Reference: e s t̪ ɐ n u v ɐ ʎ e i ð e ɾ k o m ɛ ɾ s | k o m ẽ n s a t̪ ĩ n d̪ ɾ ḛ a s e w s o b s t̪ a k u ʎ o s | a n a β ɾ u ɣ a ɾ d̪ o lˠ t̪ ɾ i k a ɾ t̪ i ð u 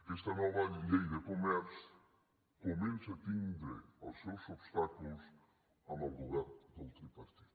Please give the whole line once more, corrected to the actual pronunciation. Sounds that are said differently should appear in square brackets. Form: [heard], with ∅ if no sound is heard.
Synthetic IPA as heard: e s t̪ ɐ n [ɔ] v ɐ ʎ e [j] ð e [∅] k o m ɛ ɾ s | k o m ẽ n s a t̪ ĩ n d̪ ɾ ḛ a s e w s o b s t̪ a k u [l] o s | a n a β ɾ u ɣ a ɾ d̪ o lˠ t̪ ɾ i [p] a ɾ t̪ i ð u